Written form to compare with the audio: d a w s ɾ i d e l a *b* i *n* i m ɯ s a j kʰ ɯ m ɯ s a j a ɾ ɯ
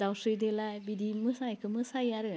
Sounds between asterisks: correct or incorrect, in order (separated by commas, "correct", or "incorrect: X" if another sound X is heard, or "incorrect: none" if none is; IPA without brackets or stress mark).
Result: correct, incorrect: d